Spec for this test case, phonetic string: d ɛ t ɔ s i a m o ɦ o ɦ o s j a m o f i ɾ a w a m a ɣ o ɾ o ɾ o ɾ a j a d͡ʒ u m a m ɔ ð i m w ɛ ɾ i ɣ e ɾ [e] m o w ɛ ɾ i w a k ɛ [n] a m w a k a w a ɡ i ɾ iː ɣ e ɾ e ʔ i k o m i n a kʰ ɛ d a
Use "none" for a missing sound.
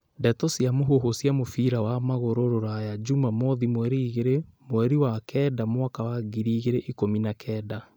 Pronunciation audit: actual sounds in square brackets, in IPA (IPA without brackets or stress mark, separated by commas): e, d